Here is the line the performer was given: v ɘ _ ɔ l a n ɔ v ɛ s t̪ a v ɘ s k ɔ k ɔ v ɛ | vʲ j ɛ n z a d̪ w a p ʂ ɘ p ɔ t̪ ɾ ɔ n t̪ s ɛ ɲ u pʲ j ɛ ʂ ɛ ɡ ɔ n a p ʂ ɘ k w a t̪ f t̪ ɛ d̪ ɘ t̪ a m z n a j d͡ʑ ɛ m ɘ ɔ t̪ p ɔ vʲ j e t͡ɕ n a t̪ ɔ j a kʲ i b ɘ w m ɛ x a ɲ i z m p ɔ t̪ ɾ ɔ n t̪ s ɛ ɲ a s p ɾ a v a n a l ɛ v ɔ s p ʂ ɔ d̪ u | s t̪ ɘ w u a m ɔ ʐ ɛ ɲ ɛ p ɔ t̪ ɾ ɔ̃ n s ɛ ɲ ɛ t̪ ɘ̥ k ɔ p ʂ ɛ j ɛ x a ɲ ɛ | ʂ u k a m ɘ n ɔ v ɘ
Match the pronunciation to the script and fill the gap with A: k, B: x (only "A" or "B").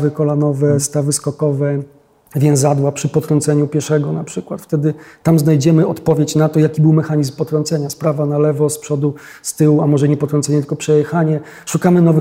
A